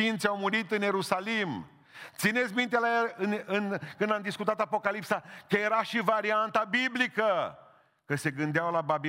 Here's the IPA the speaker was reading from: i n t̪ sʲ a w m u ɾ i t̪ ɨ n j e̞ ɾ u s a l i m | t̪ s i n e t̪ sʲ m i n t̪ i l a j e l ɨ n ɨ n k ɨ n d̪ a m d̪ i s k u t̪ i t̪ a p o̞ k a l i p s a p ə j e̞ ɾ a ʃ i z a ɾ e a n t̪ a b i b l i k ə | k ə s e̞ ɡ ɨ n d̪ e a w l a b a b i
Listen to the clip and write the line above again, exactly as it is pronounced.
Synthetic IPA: i n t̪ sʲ a w m u ɾ i t̪ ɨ n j e̞ ɾ u s a l i m | t̪ s i n e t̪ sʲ m i n t̪ e l a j e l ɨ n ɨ n k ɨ n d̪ a m d̪ i s k u t̪ a t̪ a p o̞ k a l i p s a k ə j e̞ ɾ a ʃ i v a ɾ i a n t̪ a b i b l i k ə | k ə s e̞ ɡ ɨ n d̪ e a w l a b a b i